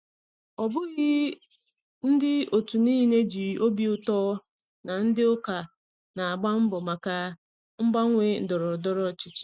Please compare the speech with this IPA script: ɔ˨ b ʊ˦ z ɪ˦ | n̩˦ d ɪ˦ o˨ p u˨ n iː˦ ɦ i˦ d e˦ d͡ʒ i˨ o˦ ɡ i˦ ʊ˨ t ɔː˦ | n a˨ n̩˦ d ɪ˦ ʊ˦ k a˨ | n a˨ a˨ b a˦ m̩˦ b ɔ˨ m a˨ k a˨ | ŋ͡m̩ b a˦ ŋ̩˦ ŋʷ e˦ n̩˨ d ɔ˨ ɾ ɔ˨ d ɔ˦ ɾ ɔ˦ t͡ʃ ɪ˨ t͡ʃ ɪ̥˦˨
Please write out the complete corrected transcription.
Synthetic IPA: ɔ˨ b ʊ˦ ɣ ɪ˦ | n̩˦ d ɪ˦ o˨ t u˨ n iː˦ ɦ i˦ n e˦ d͡ʒ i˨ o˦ b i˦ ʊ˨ t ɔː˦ | n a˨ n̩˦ d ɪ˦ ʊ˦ k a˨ | n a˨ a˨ ɡ͡b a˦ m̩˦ b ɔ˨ m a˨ k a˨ | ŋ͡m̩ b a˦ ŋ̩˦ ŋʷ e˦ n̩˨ d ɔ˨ ɾ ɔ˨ d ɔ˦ ɾ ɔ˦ t͡ʃ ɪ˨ t͡ʃ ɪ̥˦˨